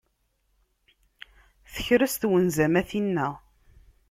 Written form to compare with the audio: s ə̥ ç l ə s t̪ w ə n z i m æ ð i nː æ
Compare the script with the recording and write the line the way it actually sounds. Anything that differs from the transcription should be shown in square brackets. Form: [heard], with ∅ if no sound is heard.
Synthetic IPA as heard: [θ] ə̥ ç [ɾ] ə s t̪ w ə n z [æ] m æ [θ] i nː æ